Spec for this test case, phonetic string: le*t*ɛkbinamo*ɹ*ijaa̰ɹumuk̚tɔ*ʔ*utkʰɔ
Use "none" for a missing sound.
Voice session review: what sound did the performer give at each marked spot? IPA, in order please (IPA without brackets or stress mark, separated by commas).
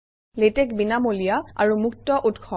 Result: t, l, ʔ